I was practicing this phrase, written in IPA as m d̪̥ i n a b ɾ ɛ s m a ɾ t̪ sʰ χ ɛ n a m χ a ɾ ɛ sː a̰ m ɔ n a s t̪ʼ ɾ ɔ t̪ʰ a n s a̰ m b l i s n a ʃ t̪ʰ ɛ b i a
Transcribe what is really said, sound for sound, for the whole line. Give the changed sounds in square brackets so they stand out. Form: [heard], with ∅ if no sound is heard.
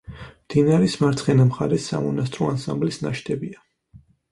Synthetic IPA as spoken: m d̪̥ i n a [∅] ɾ ɛ s m a ɾ t̪ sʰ χ ɛ n a m χ a ɾ ɛ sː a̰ m ɔ n a s t̪ʼ ɾ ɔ [∅] a n s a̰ m b l i s n a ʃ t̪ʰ ɛ b i a